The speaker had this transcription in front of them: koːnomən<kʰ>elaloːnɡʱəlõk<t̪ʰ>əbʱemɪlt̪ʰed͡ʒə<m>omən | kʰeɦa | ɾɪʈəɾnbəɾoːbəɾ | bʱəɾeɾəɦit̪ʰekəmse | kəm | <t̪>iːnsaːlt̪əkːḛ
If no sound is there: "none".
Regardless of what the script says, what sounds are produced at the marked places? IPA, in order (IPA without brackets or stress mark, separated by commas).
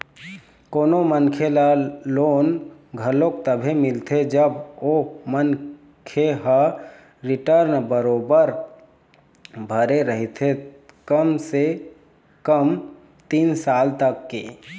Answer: kʰ, t̪, b, t̪